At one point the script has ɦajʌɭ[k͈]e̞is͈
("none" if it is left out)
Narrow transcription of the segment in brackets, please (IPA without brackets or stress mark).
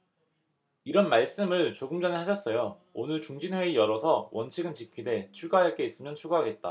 k͈